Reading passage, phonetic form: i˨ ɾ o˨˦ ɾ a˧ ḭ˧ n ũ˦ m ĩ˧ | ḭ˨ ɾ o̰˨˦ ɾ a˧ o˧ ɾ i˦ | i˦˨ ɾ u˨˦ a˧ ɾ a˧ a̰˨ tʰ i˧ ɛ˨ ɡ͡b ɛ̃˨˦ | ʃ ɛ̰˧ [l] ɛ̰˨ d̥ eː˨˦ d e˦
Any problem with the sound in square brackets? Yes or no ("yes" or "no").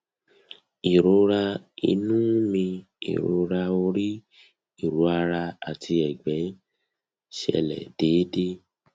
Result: no